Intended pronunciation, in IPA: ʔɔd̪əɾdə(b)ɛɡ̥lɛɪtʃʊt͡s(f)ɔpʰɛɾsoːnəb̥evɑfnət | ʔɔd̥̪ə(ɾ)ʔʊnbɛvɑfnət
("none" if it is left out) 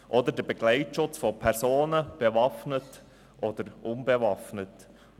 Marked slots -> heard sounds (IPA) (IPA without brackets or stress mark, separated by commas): b, f, ɾ